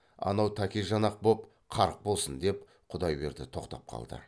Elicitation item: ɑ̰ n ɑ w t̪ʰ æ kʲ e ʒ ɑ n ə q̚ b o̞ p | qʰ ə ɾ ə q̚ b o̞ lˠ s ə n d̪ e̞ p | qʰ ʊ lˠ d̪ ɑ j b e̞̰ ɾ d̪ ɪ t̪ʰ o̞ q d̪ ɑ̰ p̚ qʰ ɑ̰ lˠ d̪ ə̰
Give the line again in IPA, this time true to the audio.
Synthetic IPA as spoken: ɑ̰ n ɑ w t̪ʰ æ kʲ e ʒ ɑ n ɑ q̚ b o̞ p | qʰ ɑ ɾ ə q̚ b o̞ lˠ s ə n d̪ e̞ p | qʰ ʊ d̪ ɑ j b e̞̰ ɾ d̪ ɪ t̪ʰ o̞ q t̪ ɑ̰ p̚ qʰ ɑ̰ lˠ d̪ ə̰